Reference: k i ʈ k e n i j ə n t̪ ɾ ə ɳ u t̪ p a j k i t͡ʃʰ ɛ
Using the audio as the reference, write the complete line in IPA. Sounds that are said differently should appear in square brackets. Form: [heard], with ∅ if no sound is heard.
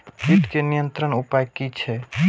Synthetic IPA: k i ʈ k e n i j ə n t̪ ɾ ə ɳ u [∅] p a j k i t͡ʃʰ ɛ